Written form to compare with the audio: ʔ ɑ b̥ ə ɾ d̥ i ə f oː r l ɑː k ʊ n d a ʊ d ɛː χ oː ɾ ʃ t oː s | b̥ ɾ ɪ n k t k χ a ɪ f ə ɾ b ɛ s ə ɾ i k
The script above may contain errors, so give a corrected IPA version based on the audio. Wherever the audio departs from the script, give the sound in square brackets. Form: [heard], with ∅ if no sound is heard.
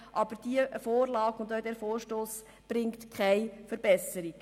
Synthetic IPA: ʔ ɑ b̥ ə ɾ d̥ i ə f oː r l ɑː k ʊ n d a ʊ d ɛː [f] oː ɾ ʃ t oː s | b̥ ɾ ɪ [ŋ] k t k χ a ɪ f ə ɾ b ɛ s ə ɾ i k

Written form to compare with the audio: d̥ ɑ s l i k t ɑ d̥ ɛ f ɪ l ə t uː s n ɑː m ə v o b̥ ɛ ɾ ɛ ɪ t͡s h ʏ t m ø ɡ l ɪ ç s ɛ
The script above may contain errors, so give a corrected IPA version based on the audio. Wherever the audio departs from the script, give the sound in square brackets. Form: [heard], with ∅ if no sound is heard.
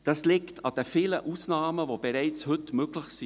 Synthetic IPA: d̥ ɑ s l [ɪ] k t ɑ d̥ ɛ f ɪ l ə [ʔ] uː s n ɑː m ə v o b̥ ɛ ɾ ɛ ɪ t͡s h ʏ t m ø ɡ l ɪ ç s [i]

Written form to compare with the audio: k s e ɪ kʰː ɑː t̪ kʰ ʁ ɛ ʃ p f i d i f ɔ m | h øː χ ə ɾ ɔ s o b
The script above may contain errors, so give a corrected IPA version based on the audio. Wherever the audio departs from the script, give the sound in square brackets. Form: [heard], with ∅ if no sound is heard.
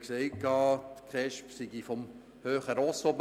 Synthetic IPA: k s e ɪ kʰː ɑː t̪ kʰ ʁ ɛ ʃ p [s] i [ɡ] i f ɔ m | h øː χ ə ɾ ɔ s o b

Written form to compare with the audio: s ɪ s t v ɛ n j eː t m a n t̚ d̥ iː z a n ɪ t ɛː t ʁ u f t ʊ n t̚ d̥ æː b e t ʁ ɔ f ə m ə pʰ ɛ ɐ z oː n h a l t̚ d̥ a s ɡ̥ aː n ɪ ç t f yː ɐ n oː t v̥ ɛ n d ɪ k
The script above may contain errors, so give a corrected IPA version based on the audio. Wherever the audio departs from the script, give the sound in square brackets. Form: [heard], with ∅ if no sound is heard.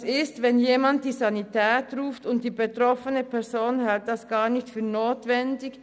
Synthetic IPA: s ɪ s t v ɛ n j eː [∅] m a n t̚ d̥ iː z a n [i] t ɛː t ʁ [uː] f t ʊ n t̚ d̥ [iː] b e t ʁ ɔ f ə [n] ə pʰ ɛ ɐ z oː n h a l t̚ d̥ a s ɡ̥ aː n ɪ ç t f yː ɐ n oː t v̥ ɛ n d ɪ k

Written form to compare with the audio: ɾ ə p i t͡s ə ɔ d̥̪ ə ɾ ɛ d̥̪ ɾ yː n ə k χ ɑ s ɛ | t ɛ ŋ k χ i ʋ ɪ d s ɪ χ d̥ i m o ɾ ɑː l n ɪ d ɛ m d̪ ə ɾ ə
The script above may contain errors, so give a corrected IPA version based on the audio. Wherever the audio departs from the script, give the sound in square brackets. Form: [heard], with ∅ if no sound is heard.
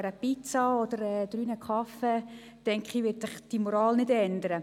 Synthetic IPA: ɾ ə p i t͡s [ɑ] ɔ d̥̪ ə ɾ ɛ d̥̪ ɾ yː n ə k χ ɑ [f] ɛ | t ɛ ŋ k χ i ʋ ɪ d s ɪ χ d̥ i m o ɾ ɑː l n ɪ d ɛ [n] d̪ ə ɾ ə

